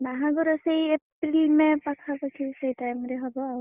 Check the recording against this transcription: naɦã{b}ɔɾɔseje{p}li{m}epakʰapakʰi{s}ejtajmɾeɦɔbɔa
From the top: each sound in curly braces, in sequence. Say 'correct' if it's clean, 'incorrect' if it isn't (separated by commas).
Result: incorrect, correct, correct, correct